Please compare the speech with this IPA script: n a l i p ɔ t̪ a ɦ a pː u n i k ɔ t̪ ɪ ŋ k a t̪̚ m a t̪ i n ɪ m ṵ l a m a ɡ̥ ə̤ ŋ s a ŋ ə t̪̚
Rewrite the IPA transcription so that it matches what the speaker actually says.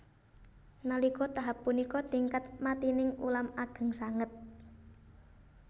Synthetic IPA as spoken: n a l i k ɔ t̪ a ɦ a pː u n i k ɔ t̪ i ŋ k a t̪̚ m a t̪ i n ɪ ŋ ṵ l a m a ɡ̥ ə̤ ŋ s a ŋ ə t̪̚